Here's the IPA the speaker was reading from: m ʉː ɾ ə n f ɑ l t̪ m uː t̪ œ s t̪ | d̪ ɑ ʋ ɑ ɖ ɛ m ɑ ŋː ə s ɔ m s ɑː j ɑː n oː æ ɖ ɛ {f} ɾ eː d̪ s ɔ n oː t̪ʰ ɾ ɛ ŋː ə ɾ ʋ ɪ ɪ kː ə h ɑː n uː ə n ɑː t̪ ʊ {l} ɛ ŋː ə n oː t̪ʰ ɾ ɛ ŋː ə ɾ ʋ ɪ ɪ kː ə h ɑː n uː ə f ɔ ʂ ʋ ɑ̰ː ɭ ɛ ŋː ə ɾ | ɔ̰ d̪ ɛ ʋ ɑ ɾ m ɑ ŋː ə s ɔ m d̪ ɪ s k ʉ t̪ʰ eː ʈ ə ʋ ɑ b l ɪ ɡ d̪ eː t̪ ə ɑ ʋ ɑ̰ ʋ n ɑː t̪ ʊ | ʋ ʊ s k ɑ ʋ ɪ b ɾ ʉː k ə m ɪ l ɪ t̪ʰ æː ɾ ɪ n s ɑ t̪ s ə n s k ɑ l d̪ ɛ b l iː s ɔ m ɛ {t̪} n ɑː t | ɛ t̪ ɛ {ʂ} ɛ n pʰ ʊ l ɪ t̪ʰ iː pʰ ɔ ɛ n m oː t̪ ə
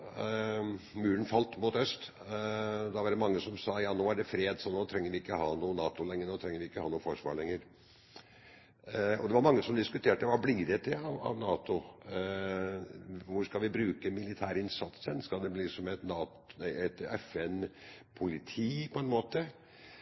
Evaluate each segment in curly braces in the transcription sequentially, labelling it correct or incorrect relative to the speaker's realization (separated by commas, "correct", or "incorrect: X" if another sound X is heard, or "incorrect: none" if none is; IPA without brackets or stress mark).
correct, correct, correct, incorrect: f